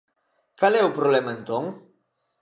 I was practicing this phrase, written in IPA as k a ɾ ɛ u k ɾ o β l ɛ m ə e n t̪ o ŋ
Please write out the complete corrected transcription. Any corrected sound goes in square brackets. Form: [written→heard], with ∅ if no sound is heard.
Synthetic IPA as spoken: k a [ɾ→l] ɛ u [k→p] ɾ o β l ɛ m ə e n t̪ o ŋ